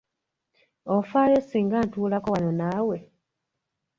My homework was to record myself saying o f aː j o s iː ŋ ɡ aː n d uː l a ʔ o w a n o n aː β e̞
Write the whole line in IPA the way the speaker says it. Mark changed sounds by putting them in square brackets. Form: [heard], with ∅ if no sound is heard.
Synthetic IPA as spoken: o f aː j o s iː ŋ ɡ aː n [t] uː l a [k] o w a n o n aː [w] e̞